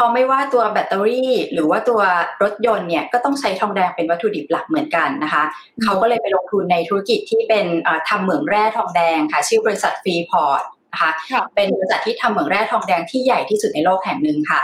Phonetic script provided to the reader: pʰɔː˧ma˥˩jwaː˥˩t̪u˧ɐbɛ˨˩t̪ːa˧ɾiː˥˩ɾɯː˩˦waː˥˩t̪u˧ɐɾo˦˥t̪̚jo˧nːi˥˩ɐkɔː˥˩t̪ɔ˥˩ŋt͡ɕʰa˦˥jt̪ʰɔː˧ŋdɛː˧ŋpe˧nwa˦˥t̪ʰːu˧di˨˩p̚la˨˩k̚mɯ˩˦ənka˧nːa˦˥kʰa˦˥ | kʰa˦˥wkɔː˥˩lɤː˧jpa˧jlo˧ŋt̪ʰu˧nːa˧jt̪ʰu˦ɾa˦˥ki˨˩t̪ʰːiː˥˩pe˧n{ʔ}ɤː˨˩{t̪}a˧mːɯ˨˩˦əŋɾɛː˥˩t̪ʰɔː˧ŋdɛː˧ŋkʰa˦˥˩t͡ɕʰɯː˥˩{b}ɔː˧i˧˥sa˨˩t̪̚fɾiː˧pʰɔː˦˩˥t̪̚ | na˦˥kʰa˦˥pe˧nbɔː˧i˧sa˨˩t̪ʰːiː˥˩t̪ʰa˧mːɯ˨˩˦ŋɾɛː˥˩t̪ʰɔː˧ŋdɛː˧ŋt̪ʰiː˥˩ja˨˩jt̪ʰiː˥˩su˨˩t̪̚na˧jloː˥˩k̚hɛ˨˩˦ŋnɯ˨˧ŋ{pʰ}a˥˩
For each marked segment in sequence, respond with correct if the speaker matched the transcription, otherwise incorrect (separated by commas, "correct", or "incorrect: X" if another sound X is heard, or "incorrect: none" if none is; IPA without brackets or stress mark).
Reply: correct, incorrect: t̪ʰ, correct, incorrect: kʰ